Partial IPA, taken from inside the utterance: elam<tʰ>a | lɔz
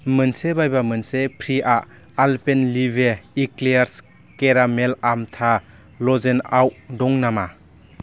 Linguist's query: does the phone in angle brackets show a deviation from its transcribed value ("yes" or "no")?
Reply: no